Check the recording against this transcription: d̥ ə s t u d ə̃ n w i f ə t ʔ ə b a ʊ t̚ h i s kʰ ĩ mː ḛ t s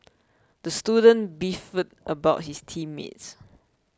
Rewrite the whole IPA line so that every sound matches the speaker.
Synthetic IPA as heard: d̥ ə s t u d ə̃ n b i f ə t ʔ ə b a ʊ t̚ h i s tʰ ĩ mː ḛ t s